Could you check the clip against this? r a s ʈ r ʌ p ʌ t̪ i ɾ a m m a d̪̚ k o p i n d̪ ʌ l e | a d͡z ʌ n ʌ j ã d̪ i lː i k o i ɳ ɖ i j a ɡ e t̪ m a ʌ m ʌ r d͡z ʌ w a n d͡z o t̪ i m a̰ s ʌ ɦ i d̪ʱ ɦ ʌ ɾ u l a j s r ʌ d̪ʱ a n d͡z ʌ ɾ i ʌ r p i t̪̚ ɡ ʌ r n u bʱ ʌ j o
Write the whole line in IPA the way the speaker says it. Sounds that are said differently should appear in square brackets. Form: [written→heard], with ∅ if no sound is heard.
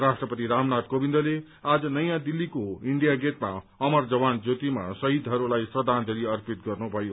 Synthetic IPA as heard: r a s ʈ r ʌ p ʌ t̪ i ɾ a m [m→n] a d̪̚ k o [p→b] i n d̪ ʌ l e | a d͡z ʌ n ʌ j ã d̪ i lː i k o i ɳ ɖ i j a ɡ e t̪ m a ʌ m ʌ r d͡z ʌ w a n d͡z o t̪ i m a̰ s ʌ ɦ i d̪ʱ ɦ ʌ ɾ u l a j s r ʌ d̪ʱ a n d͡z ʌ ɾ i ʌ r p i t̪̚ ɡ ʌ r n u bʱ ʌ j o